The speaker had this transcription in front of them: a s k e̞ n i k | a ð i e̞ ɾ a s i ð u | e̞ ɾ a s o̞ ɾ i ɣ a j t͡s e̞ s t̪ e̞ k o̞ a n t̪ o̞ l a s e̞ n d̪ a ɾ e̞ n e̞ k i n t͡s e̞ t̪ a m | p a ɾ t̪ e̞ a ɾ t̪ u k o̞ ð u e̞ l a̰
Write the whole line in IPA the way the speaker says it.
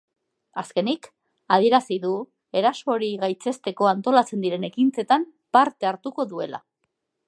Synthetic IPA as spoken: a s k e̞ n i k | a ð i e̞ ɾ a s i ð u | e̞ ɾ a s o̞ ɾ i ɣ a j t͡s e̞ s t̪ e̞ k o̞ a n t̪ o̞ l a t͡s e̞ n d̪ i ɾ e̞ n e̞ k i n t͡s e̞ t̪ a m | p a ɾ t̪ e̞ a ɾ t̪ u k o̞ ð u e̞ l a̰